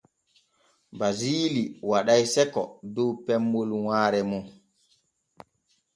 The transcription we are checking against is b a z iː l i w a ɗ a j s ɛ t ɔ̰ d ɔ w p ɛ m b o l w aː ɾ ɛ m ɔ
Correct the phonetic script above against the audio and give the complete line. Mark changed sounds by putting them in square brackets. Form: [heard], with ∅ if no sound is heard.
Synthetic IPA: b a z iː l i w a ɗ a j s ɛ [k] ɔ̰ d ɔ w p ɛ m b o l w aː ɾ ɛ m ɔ

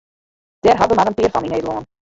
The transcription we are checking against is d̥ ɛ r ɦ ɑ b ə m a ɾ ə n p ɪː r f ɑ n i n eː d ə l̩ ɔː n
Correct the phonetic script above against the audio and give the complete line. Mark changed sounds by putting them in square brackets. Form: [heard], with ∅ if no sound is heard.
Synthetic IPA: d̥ ɛ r ɦ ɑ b ə m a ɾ ə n p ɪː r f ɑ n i n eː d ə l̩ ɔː n

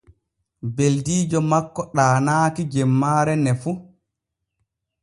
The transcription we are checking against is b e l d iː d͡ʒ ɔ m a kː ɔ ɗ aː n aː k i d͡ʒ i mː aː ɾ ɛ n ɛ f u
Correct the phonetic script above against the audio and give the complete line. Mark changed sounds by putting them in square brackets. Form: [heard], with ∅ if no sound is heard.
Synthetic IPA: b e l d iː d͡ʒ ɔ m a kː ɔ ɗ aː n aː k i d͡ʒ [ɛ] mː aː ɾ ɛ n ɛ f u

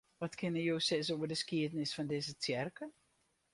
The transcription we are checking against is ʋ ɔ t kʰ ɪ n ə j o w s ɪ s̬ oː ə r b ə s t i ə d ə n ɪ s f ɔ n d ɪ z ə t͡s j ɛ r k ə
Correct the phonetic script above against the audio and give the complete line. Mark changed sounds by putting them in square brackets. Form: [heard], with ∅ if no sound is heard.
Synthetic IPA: ʋ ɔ t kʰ ɪ n ə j o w s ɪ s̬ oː ə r [d] ə s [k] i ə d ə n ɪ s f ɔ n d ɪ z ə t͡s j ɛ r k ə

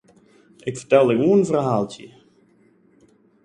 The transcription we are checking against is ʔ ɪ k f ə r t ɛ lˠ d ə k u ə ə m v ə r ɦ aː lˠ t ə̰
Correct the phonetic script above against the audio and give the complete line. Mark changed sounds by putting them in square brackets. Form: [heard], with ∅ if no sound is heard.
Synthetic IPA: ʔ ɪ k f ə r t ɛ lˠ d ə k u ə ə [n] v ə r ɦ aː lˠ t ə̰

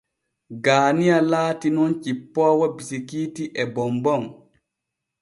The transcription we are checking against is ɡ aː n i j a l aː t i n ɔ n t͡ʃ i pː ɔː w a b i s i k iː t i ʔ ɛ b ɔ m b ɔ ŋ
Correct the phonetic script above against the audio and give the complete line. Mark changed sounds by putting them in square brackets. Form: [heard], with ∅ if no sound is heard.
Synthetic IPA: ɡ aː n i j a l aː t i n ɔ n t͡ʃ i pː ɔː w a b i s i k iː t i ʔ ɛ b ɔ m b ɔ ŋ

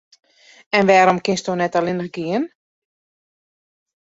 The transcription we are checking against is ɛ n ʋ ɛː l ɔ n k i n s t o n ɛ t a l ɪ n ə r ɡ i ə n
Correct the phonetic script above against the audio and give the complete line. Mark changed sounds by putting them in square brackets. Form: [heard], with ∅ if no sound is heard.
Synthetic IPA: ɛ n ʋ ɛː [ɾ] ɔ [m] k [ɪ] n s t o n ɛ t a l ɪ n ə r ɡ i ə n

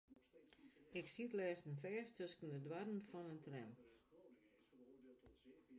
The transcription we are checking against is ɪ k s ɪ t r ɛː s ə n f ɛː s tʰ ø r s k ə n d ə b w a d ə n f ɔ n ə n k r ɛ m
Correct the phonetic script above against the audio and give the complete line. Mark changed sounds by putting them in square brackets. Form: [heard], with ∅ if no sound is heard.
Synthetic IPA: ɪ k s [i] t [l] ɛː s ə n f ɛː s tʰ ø [∅] s k ə n d ə [d] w a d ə n f ɔ n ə n [t] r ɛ m

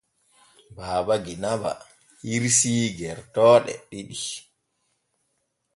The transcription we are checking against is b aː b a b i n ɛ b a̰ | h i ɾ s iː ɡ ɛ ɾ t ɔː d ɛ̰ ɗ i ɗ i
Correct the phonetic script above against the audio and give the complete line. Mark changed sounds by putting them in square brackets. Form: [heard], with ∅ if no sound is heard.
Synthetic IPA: b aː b a [ɡ] i n [a] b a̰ | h i ɾ s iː ɡ ɛ ɾ t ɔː [ɗ] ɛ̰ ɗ i ɗ i

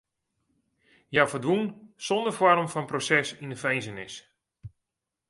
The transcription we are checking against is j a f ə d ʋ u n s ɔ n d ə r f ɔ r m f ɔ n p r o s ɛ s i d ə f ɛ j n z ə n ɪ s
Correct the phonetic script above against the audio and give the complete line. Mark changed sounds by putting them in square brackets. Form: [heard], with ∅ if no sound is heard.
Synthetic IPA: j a f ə d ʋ u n s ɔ n d ə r f ɔ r m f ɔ n p r o s ɛ s i [n] ə f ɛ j n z ə n ɪ s

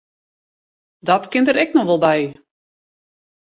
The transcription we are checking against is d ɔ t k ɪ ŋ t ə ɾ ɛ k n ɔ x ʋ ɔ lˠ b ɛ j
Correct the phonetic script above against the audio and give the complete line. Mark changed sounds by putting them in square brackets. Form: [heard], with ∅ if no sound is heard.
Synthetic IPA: d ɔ t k ɪ [n] t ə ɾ ɛ k n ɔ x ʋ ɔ lˠ b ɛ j

